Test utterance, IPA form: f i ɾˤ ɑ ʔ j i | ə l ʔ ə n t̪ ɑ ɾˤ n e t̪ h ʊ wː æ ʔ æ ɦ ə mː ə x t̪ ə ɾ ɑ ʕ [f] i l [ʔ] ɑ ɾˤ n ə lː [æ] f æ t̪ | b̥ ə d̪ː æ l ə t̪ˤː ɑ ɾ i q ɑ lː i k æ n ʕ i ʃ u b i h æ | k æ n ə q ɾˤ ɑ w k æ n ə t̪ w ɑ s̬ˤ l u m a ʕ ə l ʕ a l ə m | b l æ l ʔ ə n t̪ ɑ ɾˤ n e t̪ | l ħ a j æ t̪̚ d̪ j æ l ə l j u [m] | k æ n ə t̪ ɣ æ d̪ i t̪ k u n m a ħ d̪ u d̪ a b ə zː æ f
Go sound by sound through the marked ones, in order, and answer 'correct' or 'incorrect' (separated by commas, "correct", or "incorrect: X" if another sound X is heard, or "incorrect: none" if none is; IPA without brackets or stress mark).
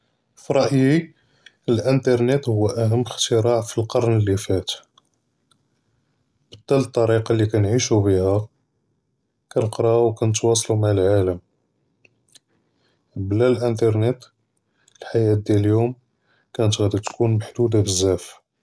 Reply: correct, incorrect: q, incorrect: i, correct